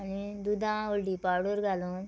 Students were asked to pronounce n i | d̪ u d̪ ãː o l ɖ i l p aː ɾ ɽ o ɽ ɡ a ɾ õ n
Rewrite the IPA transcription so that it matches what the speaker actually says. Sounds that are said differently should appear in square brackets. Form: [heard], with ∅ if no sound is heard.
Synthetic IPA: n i | d̪ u d̪ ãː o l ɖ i [∅] p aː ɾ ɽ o [ɾ] ɡ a [l] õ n